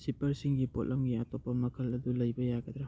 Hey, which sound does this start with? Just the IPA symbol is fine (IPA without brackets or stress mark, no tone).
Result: s